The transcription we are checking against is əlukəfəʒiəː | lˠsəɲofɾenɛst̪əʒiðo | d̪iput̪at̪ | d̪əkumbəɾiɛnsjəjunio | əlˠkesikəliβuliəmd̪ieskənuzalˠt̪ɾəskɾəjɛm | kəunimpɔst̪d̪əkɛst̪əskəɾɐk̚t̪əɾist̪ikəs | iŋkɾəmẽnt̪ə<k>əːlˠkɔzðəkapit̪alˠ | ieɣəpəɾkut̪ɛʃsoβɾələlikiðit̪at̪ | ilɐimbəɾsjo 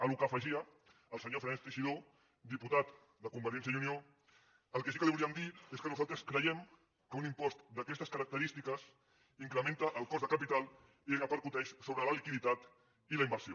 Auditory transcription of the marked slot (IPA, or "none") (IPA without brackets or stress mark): ʔ